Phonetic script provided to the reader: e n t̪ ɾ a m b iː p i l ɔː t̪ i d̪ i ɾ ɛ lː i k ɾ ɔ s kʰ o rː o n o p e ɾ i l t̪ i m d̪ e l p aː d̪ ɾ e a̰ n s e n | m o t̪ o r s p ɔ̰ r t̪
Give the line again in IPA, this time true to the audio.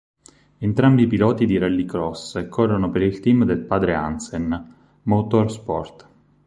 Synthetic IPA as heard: e n t̪ ɾ a m b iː p i l ɔː t̪ i d̪ i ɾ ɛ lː i k ɾ ɔ s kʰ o rː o n o p e ɾ i l t̪ i m d̪ e l p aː d̪ ɾ e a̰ n s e n | m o t̪ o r s p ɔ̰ r t̪